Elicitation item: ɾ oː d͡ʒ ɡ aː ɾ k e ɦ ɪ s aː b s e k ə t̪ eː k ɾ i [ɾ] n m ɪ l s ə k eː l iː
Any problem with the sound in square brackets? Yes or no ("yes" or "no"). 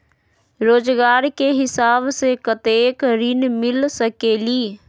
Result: yes